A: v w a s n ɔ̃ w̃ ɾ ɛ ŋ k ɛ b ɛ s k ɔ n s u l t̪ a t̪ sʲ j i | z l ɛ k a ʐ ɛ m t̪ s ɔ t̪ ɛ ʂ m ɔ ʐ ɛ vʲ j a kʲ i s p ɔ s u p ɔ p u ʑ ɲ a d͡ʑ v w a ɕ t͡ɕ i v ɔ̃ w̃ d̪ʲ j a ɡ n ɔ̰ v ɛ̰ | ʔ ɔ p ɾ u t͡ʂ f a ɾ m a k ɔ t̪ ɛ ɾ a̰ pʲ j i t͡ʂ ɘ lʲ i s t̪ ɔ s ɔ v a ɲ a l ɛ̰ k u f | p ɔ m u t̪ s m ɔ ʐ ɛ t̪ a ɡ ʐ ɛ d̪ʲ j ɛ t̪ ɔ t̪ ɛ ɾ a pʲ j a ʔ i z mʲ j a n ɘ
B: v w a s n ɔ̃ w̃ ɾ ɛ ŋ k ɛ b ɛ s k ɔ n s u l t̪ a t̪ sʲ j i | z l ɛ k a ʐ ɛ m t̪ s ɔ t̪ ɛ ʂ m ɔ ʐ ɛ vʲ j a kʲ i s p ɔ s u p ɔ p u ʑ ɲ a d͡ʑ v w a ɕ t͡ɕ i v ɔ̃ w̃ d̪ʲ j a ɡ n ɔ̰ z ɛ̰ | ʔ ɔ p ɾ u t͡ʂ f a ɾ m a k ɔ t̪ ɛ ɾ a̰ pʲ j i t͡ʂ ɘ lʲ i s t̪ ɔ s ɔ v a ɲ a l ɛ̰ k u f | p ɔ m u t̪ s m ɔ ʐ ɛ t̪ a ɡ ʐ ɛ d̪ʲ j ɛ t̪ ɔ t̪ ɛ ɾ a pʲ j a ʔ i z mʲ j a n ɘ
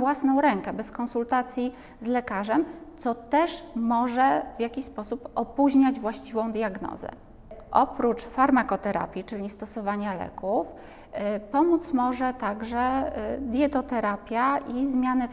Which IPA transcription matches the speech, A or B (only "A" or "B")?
B